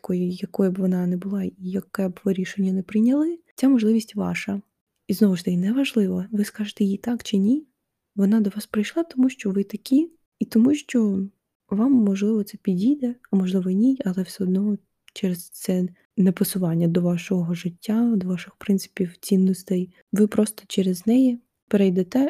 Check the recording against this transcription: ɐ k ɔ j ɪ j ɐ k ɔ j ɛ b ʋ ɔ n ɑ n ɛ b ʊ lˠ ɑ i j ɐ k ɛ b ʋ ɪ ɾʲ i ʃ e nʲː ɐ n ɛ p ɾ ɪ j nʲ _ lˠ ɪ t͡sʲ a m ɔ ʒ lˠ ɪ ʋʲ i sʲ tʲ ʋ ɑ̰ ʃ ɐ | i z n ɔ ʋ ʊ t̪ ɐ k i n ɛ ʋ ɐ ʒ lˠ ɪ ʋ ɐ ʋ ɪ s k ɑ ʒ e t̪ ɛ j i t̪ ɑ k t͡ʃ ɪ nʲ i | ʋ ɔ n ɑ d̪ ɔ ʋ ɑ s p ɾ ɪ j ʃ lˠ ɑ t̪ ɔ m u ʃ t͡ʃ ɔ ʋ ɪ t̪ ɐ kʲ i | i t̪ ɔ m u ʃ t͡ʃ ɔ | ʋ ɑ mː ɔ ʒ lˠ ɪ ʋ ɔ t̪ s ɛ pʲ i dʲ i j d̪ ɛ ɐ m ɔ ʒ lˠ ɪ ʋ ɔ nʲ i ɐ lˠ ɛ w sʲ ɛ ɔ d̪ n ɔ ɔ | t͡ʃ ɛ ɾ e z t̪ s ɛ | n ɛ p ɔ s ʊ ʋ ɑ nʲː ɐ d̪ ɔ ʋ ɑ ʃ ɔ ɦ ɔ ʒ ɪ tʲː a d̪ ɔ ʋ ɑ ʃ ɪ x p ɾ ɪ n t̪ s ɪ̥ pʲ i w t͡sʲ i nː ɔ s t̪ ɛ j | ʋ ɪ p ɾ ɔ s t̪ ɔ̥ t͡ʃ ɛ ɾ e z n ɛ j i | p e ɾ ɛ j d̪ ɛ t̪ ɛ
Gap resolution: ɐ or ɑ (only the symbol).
ɐ